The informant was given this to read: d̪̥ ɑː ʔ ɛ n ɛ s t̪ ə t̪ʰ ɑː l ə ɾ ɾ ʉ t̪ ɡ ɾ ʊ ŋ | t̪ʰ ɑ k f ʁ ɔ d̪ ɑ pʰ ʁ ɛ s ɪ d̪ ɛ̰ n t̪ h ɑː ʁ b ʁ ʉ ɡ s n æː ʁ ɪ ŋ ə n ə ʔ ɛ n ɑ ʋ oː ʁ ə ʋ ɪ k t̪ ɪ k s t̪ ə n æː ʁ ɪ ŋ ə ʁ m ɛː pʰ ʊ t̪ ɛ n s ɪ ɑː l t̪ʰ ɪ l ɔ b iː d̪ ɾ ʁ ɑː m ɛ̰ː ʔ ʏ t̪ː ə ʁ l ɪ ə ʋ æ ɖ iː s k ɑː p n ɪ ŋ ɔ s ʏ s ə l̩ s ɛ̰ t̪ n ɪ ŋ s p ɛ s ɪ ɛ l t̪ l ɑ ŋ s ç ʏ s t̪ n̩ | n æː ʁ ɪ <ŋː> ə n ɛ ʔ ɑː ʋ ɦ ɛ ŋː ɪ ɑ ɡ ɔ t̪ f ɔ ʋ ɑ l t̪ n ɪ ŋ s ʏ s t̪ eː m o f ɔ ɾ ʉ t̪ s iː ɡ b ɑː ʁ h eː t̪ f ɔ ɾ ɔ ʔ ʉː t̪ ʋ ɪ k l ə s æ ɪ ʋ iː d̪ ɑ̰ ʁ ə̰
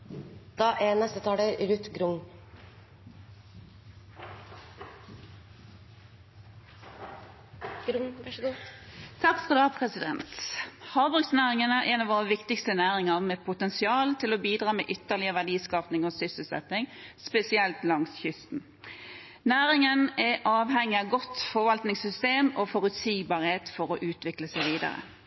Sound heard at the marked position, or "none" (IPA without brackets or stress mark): ŋ